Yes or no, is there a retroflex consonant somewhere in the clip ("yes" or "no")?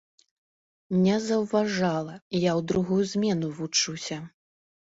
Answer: yes